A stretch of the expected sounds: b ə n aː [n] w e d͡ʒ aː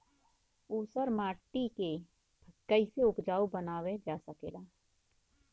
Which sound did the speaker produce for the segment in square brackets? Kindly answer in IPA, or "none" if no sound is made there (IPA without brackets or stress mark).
none